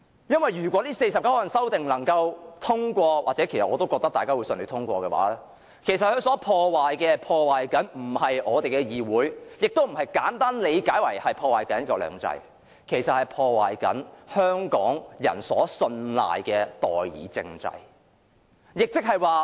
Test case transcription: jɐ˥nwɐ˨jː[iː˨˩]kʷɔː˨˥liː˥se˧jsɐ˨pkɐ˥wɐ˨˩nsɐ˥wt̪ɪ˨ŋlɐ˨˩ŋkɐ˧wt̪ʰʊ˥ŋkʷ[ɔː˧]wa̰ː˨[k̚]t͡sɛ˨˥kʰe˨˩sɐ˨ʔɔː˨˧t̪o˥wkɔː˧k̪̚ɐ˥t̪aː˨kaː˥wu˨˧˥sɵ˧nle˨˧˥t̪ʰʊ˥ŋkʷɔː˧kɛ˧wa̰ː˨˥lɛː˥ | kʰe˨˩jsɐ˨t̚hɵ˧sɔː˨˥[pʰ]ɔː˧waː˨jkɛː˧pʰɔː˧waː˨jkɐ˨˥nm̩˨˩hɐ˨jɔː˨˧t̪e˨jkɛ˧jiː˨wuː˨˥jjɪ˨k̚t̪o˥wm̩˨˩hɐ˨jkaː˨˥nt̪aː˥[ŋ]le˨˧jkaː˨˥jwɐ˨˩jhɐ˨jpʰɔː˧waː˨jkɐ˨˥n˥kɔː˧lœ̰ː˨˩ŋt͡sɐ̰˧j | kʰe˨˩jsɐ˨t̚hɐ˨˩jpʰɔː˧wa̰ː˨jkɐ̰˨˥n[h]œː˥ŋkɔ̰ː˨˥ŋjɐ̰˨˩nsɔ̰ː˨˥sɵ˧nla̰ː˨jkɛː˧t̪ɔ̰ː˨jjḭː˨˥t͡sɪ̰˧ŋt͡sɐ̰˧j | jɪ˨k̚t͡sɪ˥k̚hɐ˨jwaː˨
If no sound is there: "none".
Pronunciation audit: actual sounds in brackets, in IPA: yː˨˩, ɔː˧, t̚, pʰ, n, h

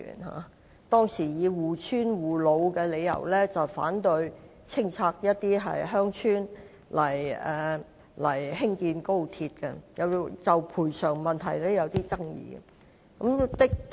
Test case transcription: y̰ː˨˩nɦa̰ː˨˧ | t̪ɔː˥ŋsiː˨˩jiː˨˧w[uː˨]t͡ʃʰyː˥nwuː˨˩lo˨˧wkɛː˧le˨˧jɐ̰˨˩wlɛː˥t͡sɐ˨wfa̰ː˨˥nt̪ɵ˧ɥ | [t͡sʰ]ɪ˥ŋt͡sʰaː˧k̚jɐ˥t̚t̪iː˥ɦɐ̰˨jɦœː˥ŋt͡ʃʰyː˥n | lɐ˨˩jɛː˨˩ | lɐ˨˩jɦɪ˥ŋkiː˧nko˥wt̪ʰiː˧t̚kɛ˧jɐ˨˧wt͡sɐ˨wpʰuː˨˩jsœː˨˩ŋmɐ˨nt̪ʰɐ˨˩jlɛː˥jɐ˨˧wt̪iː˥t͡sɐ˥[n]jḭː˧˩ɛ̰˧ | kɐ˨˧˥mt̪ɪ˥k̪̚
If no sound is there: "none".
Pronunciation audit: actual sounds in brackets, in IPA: uː˨, t͡sʰ, ŋ

